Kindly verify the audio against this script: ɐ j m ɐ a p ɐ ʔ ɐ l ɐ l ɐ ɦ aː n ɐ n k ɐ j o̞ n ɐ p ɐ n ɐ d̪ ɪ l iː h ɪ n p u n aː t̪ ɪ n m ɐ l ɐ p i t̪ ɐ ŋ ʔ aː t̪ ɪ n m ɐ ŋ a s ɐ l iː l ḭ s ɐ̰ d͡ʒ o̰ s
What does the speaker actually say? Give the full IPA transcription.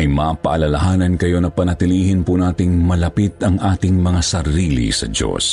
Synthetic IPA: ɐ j m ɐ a p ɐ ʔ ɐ l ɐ l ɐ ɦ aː n ɐ n k ɐ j o̞ n ɐ p ɐ n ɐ t̪ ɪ l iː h ɪ n p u n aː t̪ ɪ ŋ m ɐ l ɐ p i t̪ ɐ ŋ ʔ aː t̪ ɪ ŋ m ɐ ŋ a s ɐ ɾ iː l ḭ s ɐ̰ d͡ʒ o̰ s